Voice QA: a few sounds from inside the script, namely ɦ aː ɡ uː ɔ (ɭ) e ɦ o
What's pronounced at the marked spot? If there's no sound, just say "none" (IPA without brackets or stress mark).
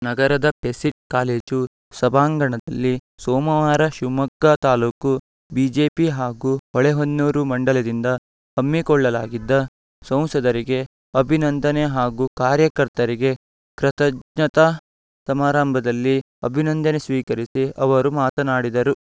ɭ